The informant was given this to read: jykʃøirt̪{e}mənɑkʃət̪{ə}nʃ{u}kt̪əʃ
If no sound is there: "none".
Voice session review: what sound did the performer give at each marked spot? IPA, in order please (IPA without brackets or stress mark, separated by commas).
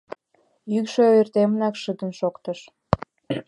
e, ə, o